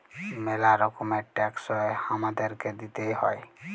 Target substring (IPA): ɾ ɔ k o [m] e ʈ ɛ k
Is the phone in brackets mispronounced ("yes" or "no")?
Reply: no